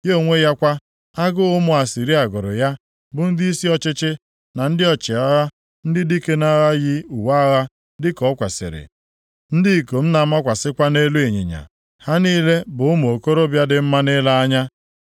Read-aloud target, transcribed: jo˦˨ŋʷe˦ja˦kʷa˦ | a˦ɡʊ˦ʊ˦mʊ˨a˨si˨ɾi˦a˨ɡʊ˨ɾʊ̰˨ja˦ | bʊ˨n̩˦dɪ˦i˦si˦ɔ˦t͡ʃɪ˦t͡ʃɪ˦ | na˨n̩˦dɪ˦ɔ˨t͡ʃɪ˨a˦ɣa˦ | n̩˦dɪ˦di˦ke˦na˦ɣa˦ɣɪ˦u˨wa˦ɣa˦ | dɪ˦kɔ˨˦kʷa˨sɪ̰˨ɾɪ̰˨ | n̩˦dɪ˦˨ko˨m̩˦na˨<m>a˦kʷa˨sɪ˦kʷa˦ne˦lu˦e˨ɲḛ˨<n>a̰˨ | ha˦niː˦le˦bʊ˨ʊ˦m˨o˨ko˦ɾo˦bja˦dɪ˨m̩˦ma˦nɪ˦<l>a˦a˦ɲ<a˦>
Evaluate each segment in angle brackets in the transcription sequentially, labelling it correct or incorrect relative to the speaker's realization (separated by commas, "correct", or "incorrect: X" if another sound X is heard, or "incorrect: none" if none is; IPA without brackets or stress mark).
correct, incorrect: ɲ, correct, correct